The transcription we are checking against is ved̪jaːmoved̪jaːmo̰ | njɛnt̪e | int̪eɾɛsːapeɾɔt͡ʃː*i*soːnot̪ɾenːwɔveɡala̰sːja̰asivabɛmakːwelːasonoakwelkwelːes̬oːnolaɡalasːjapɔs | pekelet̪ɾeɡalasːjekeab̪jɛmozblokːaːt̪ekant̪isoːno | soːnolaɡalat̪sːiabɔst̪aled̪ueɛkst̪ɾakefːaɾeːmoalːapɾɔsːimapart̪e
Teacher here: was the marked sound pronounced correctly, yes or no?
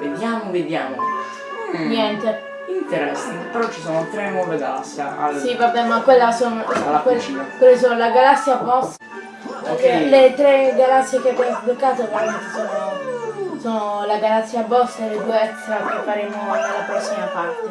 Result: yes